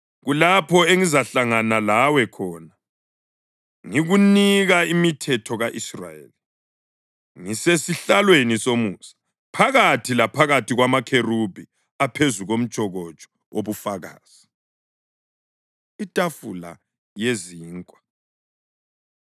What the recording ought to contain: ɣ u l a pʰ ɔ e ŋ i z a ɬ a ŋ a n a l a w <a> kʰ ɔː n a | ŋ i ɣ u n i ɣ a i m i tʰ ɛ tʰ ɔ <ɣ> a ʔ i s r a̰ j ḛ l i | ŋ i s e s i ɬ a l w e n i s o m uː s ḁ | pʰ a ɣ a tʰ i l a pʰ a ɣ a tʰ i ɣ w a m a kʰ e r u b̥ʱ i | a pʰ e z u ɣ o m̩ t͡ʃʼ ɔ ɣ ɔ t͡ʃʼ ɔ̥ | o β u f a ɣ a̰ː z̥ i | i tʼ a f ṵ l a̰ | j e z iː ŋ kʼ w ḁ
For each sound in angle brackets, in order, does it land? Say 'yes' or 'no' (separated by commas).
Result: no, yes